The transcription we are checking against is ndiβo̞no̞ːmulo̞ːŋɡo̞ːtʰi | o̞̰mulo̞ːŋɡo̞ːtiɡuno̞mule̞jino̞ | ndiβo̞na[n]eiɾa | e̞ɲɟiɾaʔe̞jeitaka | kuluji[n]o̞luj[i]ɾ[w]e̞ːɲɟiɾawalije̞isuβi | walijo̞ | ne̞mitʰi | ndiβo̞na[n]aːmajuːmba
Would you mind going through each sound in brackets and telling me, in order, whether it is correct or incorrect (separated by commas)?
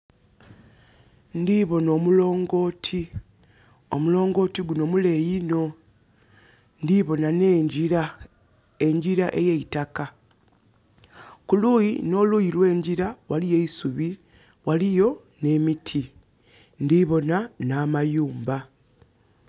correct, correct, correct, correct, correct